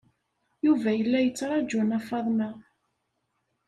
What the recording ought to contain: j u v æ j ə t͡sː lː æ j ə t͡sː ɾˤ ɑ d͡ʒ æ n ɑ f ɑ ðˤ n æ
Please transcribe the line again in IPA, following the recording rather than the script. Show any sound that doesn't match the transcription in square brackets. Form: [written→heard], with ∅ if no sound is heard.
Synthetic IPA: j u v æ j ə [t͡sː→∅] lː æ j ə t͡sː ɾˤ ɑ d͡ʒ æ n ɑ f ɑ ðˤ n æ

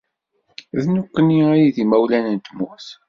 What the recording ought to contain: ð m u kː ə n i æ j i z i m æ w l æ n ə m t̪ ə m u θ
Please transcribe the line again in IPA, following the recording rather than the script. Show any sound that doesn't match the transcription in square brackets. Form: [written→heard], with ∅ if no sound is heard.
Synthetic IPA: ð [m→n] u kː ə n i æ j i [z→ð] i m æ w l æ n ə [m→n] t̪ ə m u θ

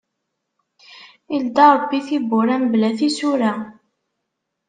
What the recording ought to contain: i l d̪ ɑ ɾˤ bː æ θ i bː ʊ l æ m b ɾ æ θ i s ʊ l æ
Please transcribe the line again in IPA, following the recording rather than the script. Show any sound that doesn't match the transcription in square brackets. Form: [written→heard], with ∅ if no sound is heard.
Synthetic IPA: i l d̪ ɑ ɾˤ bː [æ→i] θ i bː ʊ [l→ɾ] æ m b [ɾ→l] æ θ i s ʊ [l→ɾ] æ

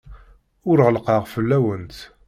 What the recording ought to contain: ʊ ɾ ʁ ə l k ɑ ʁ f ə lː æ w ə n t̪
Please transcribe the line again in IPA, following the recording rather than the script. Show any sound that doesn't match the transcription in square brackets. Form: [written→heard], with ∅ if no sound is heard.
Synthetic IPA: ʊ ɾ ʁ ə l [k→q] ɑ ʁ f ə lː æ w ə n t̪

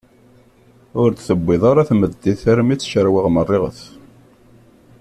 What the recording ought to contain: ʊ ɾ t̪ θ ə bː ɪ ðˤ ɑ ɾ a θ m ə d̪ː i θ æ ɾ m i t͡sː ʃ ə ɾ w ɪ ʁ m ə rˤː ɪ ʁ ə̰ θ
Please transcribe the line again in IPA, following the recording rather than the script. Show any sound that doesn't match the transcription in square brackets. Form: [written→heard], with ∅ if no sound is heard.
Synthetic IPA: ʊ ɾ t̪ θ ə bː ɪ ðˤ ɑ ɾ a θ m ə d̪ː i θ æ ɾ m i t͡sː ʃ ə ɾ w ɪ ʁ m ə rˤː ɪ ʁ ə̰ θ

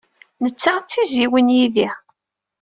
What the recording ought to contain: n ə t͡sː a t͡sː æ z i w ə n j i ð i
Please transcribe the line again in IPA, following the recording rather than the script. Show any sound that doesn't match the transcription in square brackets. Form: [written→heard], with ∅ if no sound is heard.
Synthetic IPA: n ə t͡sː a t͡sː [æ→i] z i w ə n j i ð i

